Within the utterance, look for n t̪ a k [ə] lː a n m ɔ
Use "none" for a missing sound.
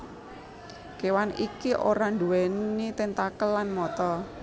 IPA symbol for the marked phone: ə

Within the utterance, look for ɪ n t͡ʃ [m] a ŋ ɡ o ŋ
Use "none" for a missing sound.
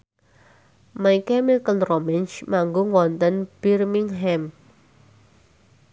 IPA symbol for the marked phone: m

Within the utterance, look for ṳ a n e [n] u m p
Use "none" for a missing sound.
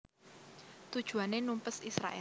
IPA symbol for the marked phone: n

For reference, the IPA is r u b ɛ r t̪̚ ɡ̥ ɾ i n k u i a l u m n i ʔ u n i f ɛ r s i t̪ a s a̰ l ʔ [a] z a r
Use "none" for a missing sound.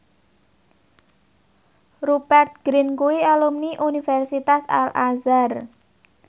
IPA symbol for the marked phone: a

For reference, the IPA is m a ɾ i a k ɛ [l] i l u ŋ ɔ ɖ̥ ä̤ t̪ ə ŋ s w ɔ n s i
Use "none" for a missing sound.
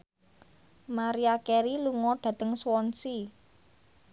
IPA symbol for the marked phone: ɾ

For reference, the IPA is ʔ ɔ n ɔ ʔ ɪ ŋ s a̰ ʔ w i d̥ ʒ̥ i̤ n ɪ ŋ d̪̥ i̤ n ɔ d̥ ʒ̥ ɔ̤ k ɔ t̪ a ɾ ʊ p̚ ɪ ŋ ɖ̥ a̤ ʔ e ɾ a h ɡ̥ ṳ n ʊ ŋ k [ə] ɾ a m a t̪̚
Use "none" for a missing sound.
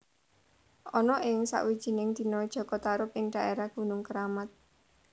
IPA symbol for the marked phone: ə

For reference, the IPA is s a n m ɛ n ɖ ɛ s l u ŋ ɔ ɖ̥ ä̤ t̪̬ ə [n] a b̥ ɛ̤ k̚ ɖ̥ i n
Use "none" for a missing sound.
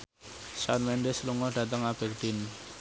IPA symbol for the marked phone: ŋ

